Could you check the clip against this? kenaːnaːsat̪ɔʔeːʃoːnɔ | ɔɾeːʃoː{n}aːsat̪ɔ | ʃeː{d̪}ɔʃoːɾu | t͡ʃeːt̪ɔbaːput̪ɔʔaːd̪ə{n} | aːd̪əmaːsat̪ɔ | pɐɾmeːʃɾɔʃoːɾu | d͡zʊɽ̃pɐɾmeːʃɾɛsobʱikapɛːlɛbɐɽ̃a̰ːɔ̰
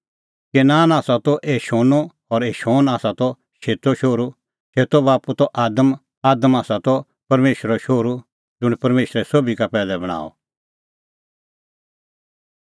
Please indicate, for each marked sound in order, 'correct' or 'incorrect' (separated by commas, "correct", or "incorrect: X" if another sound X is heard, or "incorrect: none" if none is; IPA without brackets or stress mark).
correct, incorrect: t̪, incorrect: m